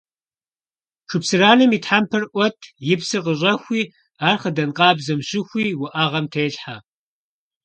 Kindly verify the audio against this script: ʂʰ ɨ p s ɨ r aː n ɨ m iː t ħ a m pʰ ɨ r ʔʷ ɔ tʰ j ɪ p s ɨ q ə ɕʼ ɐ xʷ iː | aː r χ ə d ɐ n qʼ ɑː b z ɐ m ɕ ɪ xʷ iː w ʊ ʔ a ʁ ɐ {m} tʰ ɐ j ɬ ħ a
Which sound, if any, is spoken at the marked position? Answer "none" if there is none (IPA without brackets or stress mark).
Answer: m